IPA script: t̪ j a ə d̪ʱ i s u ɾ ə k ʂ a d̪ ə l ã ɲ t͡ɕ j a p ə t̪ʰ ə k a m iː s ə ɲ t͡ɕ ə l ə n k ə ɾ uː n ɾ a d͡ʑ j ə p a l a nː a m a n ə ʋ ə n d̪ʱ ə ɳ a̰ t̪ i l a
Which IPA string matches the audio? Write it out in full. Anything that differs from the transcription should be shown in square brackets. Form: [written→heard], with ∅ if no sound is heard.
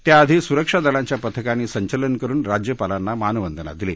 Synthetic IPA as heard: t̪ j a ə d̪ʱ i s u ɾ ə k ʂ a d̪ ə l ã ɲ t͡ɕ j a p ə t̪ʰ ə k a [m→n] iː s ə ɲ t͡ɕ ə l ə n k ə ɾ uː n ɾ a d͡ʑ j ə p a l a nː a m a n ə ʋ ə n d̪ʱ ə [ɳ→n] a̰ [t̪→d̪] i l [a→e]

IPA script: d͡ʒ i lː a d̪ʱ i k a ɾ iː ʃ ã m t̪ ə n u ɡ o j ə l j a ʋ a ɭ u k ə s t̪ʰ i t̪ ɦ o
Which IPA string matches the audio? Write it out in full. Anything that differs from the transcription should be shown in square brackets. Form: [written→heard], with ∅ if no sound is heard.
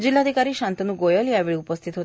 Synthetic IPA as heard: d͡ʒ i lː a d̪ʱ i k a ɾ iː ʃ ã [m→n] t̪ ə n u ɡ o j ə l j a ʋ [a→i] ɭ u [k→p] ə s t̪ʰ i t̪ ɦ o

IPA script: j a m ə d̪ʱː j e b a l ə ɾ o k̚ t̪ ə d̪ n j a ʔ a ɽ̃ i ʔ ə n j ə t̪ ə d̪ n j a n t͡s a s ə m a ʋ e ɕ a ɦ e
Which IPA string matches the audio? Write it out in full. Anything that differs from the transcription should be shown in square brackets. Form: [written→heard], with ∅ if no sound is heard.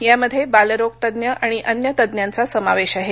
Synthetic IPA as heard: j a m ə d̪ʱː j e b a l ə ɾ o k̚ t̪ ə d̪ n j [a→ə] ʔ a ɽ̃ i ʔ ə n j ə t̪ ə d̪ n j a n t͡s a s ə m a ʋ e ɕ a ɦ e

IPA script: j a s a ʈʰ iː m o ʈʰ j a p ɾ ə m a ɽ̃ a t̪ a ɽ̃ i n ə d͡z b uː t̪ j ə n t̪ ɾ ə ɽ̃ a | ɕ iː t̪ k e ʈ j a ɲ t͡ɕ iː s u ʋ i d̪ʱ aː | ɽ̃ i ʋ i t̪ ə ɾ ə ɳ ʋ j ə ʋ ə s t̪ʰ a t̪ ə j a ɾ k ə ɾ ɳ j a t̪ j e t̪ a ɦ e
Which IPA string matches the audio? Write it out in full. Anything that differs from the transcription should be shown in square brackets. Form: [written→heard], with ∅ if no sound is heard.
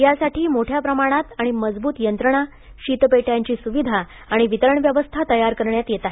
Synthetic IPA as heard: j a s a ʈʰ iː m o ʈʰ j a p ɾ ə m a ɽ̃ a t̪ a ɽ̃ i [n→m] ə d͡z b uː t̪ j ə n t̪ ɾ ə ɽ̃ a | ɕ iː t̪ [k→p] e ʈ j a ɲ t͡ɕ iː s u ʋ i d̪ʱ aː | ɽ̃ i ʋ i t̪ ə ɾ ə ɳ ʋ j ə ʋ ə s t̪ʰ a t̪ ə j a ɾ k ə ɾ ɳ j a t̪ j e t̪ a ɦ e

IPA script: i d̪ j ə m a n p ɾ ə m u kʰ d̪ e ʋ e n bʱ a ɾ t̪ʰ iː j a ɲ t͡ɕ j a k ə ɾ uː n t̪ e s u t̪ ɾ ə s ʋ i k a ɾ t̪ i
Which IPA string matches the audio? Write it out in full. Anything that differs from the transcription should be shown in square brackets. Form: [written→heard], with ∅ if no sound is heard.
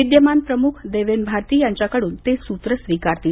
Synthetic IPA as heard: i d̪ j ə m a n p ɾ ə m u kʰ d̪ e ʋ e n bʱ a ɾ [t̪ʰ→t̪] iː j a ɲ t͡ɕ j a k ə [ɾ→ɽ] uː n t̪ e s u t̪ ɾ ə s ʋ i k a ɾ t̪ i

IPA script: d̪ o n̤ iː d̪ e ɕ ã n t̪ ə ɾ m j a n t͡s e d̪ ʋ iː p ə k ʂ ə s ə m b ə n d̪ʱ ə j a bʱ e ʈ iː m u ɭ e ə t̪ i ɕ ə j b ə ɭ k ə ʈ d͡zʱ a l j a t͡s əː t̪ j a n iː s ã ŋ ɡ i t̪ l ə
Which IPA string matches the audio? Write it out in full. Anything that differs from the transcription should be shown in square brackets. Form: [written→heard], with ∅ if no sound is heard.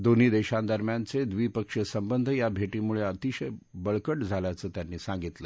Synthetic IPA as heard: d̪ o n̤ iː d̪ e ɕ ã n [t̪→d̪] ə ɾ m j a n t͡s e d̪ ʋ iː p ə k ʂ ə s ə m b ə n d̪ʱ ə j a bʱ e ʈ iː m u ɭ e ə t̪ i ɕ ə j b ə ɭ k ə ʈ d͡zʱ a l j a t͡s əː t̪ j a [n→nː] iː s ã ŋ ɡ i t̪ l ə

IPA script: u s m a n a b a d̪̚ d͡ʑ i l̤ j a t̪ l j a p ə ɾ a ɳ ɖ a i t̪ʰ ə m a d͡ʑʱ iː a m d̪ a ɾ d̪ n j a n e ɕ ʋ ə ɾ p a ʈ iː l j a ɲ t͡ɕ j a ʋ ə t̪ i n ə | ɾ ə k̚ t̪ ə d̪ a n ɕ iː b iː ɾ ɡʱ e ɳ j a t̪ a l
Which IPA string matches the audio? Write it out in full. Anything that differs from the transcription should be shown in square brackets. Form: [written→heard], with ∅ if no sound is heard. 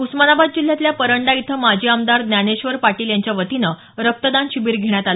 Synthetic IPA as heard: u s m a n a b a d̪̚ d͡ʑ i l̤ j a t̪ l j a p ə ɾ [a→ə] ɳ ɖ a i t̪ʰ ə m a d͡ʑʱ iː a m d̪ a ɾ d̪ n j a n e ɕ ʋ ə ɾ p a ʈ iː l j a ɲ t͡ɕ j a ʋ ə t̪ i n ə | ɾ ə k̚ t̪ ə d̪ a n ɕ [iː→i] b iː ɾ ɡʱ e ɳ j a t̪ a l

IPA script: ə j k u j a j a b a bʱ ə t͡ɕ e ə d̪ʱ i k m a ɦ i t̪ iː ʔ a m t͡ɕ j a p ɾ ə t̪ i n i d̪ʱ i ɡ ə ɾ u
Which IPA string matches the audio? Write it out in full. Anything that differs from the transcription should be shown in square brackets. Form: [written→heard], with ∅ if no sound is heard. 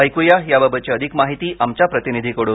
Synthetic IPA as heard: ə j k u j a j a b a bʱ ə t͡ɕ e ə d̪ʱ i k m a ɦ i t̪ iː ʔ a m t͡ɕ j a p ɾ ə t̪ i n i d̪ʱ i [ɡ→k] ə [ɾ→ɽ] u

